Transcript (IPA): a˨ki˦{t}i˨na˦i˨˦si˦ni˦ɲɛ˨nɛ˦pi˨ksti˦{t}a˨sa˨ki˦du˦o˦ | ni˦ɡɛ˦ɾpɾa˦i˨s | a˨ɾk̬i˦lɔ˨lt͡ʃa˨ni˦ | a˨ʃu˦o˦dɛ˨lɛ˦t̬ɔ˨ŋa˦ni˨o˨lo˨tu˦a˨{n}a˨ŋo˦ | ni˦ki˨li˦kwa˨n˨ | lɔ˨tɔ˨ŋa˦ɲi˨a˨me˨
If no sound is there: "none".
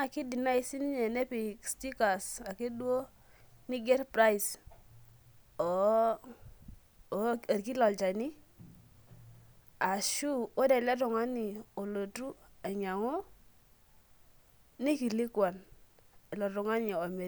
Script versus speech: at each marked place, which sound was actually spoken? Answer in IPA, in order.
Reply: d, k, ɲ

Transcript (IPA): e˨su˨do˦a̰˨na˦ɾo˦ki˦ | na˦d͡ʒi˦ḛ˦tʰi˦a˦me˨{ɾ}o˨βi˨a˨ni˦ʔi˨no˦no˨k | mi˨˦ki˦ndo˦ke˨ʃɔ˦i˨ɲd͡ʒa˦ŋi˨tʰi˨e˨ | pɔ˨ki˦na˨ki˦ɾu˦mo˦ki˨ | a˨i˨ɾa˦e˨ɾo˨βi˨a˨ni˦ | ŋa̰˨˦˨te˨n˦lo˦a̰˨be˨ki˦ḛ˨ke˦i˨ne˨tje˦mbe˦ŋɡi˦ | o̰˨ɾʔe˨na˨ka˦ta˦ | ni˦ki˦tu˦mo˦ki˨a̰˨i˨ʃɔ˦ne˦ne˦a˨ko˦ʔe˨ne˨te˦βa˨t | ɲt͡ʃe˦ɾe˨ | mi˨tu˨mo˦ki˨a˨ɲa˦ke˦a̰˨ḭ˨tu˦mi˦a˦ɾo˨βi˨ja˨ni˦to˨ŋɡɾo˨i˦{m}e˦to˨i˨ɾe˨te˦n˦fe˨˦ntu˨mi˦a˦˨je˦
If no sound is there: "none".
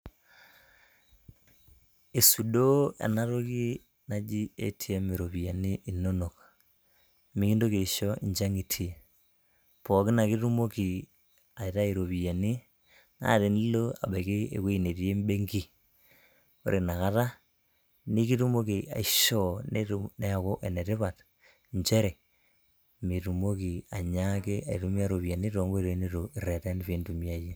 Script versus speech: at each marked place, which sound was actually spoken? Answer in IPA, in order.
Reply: ɾ, n

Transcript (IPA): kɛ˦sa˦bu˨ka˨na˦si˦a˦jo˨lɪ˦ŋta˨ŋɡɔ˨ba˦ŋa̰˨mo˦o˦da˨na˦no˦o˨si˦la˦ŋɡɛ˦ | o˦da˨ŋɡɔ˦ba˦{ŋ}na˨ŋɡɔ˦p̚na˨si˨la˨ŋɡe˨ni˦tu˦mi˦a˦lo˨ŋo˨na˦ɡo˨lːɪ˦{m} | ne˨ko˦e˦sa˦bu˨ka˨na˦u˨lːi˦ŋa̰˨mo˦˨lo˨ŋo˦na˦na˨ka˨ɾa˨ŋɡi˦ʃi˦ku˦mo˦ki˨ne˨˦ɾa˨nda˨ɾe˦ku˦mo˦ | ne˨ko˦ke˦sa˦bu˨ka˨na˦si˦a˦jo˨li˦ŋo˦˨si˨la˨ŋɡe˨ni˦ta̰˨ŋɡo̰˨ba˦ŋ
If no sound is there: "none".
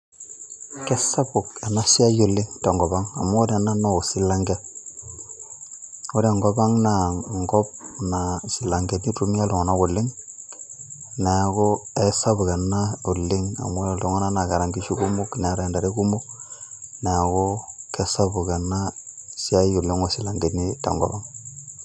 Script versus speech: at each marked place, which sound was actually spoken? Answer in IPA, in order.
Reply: ŋ, ŋ

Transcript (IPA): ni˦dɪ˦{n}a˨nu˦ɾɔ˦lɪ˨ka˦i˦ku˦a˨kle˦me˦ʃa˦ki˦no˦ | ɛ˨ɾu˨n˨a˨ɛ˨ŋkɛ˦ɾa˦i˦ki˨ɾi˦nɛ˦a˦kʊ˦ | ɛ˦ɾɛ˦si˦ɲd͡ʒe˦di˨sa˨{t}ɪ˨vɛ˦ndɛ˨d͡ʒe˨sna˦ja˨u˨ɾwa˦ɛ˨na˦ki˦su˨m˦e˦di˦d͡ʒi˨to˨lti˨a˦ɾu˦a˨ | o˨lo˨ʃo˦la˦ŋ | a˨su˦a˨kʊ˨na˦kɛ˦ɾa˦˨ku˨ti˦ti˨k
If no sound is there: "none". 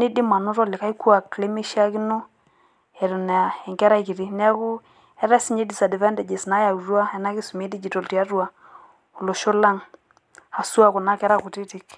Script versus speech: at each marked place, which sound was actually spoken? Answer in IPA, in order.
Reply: m, d

